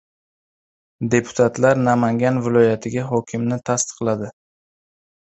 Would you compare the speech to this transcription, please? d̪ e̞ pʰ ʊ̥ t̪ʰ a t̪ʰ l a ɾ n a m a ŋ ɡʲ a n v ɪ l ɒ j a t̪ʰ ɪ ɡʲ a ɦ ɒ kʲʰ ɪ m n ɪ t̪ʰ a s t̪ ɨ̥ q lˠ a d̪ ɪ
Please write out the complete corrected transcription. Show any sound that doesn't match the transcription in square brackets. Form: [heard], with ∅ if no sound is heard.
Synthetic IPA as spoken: d̪ e̞ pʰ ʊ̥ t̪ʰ a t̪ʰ l a ɾ n a m a ŋ ɡʲ a n v ɪ l ɒ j a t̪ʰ ɪ ɡʲ a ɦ ɒ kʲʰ ɪ m n ɪ t̪ʰ a s t̪ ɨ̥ q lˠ a d̪ ɪ